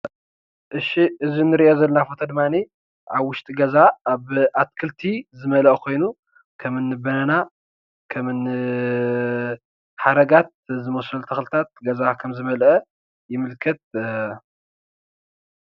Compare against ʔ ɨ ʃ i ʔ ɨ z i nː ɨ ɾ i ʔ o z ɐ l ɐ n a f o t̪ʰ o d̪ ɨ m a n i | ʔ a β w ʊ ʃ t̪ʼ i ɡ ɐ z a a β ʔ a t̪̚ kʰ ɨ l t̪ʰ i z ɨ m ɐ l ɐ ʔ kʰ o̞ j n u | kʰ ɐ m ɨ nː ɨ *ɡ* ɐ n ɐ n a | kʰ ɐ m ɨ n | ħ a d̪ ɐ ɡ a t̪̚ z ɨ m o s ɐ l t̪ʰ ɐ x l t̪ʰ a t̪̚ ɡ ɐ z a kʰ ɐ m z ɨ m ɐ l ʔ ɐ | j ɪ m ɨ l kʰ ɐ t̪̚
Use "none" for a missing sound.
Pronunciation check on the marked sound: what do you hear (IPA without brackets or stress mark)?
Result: b